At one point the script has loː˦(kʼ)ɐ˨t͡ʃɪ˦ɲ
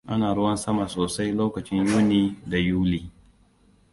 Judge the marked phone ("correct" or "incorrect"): incorrect